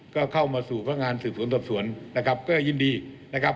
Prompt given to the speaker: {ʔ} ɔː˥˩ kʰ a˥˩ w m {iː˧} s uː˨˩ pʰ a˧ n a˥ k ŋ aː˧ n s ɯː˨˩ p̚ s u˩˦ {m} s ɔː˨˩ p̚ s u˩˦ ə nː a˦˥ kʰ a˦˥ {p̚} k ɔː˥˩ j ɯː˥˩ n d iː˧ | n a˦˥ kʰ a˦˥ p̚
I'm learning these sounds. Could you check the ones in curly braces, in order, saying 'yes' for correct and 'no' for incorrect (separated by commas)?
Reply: no, no, no, yes